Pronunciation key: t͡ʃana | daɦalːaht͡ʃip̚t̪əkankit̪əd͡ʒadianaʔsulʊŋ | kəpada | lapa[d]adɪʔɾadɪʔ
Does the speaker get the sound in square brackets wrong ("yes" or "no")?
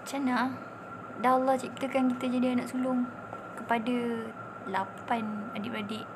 yes